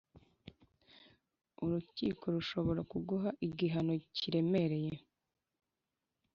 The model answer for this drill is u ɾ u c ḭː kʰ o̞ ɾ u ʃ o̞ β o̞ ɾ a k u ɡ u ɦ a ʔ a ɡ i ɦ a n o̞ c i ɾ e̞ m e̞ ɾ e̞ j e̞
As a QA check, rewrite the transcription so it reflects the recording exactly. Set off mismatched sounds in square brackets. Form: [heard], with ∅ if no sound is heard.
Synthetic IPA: u ɾ u c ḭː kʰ o̞ ɾ u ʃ o̞ β o̞ ɾ a k u ɡ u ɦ a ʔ [i] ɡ i ɦ a n o̞ c i ɾ e̞ m e̞ ɾ e̞ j e̞